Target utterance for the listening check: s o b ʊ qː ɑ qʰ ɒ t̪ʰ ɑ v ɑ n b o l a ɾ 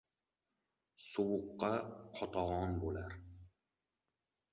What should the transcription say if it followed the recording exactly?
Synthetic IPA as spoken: s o w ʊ qː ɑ qʰ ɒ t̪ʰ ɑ ʁ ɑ n b o l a ɾ